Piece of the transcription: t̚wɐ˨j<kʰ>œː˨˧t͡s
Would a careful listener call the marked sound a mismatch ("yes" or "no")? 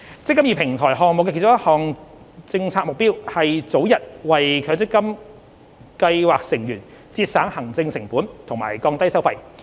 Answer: no